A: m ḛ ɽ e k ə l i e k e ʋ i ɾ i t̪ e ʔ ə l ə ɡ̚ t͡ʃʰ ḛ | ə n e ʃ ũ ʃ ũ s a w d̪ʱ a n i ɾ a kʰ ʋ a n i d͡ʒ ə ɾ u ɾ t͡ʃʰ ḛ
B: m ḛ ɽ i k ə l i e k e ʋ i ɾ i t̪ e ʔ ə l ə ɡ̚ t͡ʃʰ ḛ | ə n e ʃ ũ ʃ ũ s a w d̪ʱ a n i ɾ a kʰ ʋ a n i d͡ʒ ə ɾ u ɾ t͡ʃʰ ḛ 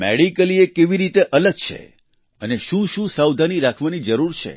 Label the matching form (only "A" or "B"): B